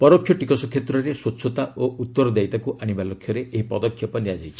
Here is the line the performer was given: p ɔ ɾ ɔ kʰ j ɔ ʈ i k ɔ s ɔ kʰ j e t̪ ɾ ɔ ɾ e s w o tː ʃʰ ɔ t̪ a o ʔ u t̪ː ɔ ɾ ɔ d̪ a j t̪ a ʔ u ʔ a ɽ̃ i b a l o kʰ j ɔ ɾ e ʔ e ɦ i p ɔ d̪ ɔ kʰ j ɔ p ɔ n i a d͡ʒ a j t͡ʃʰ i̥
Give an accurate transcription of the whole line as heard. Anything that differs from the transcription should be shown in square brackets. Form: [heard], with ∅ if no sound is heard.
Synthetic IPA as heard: p ɔ ɾ ɔ kʰ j ɔ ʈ i k ɔ s ɔ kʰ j e t̪ ɾ ɔ ɾ e s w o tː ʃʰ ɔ t̪ a o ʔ u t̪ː ɔ ɾ ɔ d̪ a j t̪ a [k] u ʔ a ɽ̃ i b a l o kʰ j ɔ ɾ e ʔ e ɦ i p ɔ d̪ ɔ kʰ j ɔ p ɔ n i a d͡ʒ a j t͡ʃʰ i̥